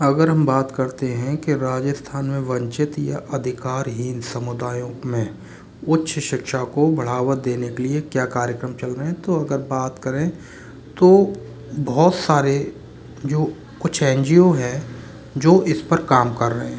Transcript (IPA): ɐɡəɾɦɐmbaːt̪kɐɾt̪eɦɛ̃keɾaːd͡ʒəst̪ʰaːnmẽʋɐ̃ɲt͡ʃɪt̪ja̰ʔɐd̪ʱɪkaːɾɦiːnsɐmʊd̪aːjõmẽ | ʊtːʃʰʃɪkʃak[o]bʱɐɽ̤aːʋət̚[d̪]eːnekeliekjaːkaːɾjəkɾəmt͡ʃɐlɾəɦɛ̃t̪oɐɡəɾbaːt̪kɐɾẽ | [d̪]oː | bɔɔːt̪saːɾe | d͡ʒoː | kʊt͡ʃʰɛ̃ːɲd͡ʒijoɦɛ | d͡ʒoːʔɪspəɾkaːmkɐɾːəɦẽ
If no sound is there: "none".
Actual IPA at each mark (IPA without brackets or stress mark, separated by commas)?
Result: o, d̪, t̪